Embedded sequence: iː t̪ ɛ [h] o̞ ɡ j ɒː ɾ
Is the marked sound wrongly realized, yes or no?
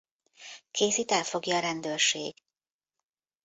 yes